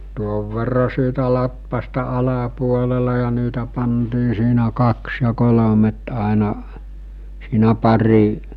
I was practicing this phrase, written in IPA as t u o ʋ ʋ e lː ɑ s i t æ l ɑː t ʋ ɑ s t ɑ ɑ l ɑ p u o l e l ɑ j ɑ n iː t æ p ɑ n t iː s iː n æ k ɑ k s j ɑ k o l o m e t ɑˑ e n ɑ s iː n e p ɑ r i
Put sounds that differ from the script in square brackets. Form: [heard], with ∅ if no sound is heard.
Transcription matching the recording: t u o ʋ ʋ e [rː] ɑ s [iː] t æ l [ɑ] t ʋ ɑ s t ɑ ɑ l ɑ p u o l e l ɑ j ɑ n iː t æ p ɑ n t iː s iː n æ k ɑ k s j ɑ k o l o m e t ɑˑ e n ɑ s iː n [æ] p ɑ r i